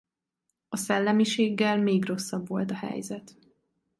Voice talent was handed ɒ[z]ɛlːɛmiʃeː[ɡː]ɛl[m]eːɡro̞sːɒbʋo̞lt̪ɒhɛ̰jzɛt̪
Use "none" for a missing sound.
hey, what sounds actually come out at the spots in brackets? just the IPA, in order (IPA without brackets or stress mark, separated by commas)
s, ɡː, m